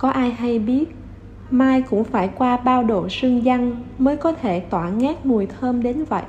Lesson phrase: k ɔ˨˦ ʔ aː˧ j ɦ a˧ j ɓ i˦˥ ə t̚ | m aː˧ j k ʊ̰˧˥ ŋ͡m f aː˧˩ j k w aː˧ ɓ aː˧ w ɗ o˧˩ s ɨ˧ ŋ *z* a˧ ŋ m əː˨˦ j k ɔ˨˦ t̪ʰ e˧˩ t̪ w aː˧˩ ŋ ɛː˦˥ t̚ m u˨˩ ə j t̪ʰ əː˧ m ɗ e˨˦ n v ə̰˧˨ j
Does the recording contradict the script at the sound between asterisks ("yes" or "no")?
no